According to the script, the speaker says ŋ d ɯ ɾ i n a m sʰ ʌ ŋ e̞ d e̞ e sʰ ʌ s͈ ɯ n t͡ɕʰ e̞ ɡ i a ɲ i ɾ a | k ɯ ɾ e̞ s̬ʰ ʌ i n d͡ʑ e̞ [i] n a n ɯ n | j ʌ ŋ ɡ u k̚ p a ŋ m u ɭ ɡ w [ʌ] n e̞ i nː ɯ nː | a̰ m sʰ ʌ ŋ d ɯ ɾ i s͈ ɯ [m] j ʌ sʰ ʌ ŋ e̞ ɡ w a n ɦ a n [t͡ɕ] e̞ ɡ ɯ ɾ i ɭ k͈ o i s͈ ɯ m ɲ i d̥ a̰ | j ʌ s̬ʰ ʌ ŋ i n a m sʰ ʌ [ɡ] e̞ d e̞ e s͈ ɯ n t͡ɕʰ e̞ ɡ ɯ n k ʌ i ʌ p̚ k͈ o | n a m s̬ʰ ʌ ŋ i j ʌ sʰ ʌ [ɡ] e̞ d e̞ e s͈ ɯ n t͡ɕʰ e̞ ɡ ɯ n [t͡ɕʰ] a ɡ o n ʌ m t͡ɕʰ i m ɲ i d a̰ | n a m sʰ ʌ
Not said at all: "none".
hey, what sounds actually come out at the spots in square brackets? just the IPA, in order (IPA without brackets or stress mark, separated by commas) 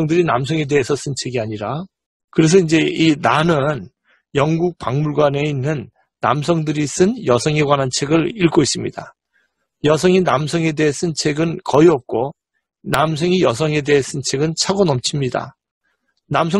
i, a, n, t͡ɕʰ, ŋ, ŋ, t͡ɕʰ